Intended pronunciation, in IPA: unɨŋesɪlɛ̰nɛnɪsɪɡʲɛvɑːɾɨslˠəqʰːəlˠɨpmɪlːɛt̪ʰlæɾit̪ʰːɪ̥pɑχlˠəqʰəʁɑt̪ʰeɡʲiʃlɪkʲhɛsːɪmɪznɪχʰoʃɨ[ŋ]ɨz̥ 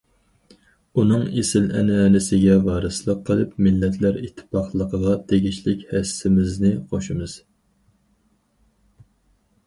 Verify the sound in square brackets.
incorrect: m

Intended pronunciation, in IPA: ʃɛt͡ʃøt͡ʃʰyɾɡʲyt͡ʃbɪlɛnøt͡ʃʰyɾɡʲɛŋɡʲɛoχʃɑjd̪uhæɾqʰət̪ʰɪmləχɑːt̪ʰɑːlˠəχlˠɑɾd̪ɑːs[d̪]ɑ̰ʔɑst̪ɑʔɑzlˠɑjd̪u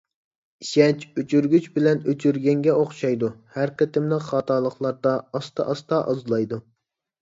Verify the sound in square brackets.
incorrect: t̪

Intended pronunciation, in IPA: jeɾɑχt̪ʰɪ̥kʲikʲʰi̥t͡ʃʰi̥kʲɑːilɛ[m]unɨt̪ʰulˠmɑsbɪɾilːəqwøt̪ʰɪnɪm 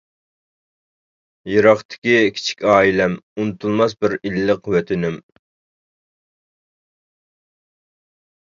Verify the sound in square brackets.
correct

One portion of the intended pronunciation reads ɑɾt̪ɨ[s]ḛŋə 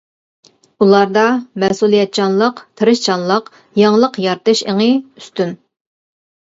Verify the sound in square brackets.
incorrect: ʃ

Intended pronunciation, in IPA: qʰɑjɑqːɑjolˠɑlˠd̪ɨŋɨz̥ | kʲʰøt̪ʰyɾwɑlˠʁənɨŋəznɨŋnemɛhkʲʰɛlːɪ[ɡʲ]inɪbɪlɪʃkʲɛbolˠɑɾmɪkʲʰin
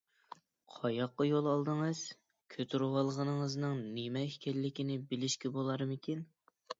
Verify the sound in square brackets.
incorrect: kʲ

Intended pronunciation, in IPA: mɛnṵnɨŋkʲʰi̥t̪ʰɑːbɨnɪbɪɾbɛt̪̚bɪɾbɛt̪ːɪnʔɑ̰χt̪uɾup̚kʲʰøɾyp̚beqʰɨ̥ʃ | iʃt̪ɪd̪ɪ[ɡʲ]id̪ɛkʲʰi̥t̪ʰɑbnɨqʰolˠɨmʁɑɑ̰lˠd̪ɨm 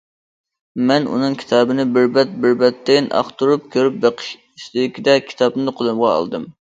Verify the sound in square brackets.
incorrect: kʲ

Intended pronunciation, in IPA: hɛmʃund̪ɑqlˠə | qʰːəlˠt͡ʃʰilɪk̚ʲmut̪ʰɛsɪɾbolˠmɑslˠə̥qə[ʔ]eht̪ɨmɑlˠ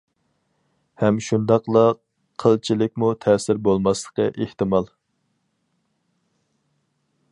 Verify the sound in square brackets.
correct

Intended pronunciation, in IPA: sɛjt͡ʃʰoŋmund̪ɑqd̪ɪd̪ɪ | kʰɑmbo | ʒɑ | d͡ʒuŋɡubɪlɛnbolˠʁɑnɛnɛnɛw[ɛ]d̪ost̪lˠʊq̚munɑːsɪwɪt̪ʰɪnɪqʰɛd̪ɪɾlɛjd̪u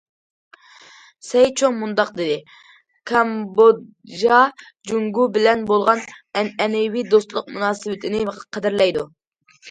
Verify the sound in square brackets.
incorrect: i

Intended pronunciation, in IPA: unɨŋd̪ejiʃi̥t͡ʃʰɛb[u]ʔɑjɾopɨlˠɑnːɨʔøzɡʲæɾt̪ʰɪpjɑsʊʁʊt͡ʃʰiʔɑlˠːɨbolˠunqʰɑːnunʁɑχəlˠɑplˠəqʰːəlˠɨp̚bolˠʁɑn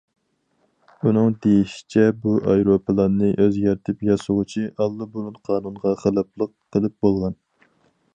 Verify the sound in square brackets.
correct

